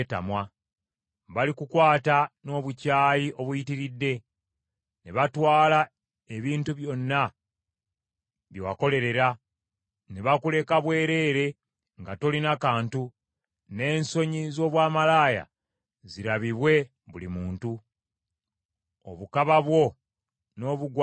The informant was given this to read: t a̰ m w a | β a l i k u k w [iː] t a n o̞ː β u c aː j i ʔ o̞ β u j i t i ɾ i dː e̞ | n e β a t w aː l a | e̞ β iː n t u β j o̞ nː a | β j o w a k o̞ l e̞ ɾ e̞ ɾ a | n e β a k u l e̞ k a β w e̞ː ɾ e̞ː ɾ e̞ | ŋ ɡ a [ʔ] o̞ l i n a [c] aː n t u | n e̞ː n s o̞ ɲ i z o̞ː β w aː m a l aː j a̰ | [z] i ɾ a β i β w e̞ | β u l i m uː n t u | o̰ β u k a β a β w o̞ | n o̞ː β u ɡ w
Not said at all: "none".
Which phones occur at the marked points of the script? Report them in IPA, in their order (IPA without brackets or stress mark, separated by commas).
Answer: aː, t, k, z